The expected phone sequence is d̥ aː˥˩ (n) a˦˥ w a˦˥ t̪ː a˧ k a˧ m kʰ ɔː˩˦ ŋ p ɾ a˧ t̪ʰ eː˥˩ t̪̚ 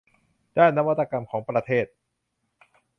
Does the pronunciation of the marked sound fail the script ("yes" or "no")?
yes